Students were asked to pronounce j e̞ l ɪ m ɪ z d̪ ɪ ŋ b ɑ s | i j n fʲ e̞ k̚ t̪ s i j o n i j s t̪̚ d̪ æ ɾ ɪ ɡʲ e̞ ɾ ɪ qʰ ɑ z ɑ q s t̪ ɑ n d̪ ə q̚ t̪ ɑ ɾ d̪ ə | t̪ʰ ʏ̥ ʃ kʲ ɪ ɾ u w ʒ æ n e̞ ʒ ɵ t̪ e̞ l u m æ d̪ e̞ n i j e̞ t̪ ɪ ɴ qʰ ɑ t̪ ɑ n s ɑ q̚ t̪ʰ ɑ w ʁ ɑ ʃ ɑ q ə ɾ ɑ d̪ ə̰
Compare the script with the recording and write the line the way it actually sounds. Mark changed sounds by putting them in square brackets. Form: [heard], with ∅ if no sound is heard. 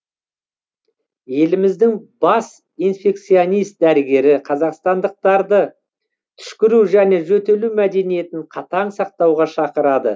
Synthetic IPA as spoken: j e̞ l ɪ m ɪ z d̪ ɪ ŋ b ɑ s | i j n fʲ e̞ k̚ t̪ s i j o n i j s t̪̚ d̪ æ ɾ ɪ ɡʲ e̞ ɾ ɪ qʰ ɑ z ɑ q s t̪ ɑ n d̪ ə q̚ t̪ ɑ ɾ d̪ ə | t̪ʰ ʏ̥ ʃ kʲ ɪ ɾ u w ʒ æ n e̞ ʒ ɵ t̪ e̞ l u m æ d̪ e̞ n i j e̞ t̪ ɪ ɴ qʰ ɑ t̪ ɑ [ɴ] s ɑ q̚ [t̪] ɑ w ʁ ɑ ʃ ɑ q ə ɾ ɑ d̪ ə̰

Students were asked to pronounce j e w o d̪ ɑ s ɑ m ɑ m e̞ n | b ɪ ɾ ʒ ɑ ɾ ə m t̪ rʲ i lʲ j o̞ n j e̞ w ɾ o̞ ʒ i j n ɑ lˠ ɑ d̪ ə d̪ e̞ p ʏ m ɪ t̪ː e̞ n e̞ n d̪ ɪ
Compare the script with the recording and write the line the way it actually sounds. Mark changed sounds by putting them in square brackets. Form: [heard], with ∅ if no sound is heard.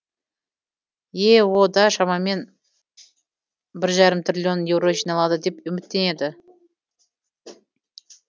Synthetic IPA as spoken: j e w o d̪ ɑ [ʃ] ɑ m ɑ m e̞ n | b ɪ ɾ ʒ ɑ ɾ ə m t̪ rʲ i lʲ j o̞ n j e̞ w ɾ o̞ ʒ i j n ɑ lˠ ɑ d̪ ə d̪ e̞ p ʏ m ɪ t̪ː e̞ n e̞ [∅] d̪ ɪ

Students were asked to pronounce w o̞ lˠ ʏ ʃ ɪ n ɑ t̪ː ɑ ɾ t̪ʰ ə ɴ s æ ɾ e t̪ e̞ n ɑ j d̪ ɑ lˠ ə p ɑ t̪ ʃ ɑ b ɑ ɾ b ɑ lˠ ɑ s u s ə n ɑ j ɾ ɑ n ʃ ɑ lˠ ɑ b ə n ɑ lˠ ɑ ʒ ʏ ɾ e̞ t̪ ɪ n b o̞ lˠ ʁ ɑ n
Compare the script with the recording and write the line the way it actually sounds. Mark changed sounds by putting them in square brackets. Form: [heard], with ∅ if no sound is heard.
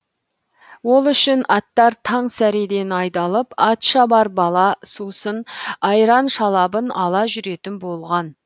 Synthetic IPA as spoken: w o̞ lˠ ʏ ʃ ɪ n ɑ t̪ː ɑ ɾ t̪ʰ [ɑ] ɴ s æ ɾ e [d̪] e̞ n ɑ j d̪ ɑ lˠ ə p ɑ t̪ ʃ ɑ b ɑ ɾ b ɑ lˠ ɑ s u s ə n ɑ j ɾ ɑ n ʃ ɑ lˠ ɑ b ə n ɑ lˠ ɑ ʒ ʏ ɾ e̞ t̪ ɪ n b o̞ lˠ ʁ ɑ n

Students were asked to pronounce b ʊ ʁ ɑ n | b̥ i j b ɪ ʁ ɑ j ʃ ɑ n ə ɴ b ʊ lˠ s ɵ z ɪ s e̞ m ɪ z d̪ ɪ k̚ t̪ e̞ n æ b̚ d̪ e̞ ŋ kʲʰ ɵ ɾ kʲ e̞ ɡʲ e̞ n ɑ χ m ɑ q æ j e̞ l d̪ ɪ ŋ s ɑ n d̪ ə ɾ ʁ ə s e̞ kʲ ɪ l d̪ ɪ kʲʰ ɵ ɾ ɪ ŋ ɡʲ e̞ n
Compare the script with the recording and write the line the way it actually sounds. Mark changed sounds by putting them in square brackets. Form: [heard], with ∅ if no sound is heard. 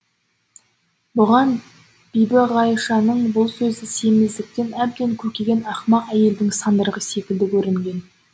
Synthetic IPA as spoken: b ʊ ʁ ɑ n | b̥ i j b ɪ ʁ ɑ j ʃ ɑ n ə ɴ b ʊ lˠ s ɵ z ɪ s e̞ m ɪ z d̪ ɪ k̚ t̪ e̞ n æ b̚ d̪ e̞ ŋ kʲʰ ɵ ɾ kʲ e̞ ɡʲ e̞ n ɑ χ m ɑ q æ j e̞ l d̪ ɪ ŋ s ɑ n d̪ ə ɾ ʁ ə s e̞ kʲ ɪ l d̪ ɪ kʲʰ ɵ ɾ ɪ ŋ ɡʲ e̞ n

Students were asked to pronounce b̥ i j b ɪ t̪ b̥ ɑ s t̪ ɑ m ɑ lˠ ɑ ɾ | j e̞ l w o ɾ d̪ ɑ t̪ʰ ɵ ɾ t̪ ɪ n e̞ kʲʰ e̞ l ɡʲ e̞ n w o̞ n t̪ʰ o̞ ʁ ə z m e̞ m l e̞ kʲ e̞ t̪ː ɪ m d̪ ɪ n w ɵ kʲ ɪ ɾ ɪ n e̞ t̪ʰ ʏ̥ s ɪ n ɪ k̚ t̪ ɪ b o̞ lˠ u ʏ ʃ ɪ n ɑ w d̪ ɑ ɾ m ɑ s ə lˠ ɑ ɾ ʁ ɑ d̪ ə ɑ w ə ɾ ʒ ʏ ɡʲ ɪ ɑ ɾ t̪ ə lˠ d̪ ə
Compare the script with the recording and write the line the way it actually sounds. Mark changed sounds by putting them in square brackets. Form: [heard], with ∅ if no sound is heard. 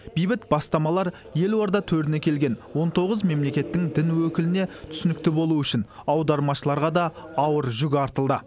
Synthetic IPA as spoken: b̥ i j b ɪ t̪ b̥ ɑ s t̪ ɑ m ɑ lˠ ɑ ɾ | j e̞ l w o ɾ d̪ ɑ t̪ʰ ɵ ɾ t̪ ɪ n e̞ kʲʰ e̞ l ɡʲ e̞ n w o̞ n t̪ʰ o̞ ʁ ə z m e̞ m l e̞ kʲ e̞ t̪ː ɪ [ŋ] d̪ ɪ n w ɵ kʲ ɪ [l] ɪ n e̞ t̪ʰ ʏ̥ s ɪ n ɪ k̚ t̪ ɪ b o̞ lˠ u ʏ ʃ ɪ n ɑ w d̪ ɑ ɾ m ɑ [ʃ] ə lˠ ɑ ɾ ʁ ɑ d̪ [ɑ] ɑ w ə ɾ ʒ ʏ ɡʲ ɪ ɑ ɾ t̪ ə lˠ d̪ ə

